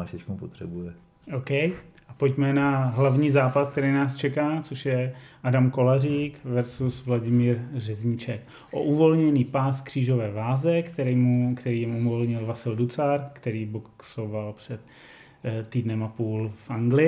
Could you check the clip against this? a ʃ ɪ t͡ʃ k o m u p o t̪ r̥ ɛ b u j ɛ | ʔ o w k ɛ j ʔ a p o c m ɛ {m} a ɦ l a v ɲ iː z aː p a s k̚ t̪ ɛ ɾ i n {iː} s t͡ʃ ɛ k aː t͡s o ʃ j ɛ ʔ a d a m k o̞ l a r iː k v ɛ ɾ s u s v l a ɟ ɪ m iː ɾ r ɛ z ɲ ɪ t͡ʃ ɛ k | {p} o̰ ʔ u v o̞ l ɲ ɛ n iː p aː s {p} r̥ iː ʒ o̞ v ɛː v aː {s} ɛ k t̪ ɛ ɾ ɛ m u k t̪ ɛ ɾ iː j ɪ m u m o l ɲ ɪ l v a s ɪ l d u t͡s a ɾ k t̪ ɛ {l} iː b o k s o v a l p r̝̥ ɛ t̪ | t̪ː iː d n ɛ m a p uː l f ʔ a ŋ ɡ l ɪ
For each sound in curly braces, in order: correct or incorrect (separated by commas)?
incorrect, incorrect, incorrect, incorrect, incorrect, incorrect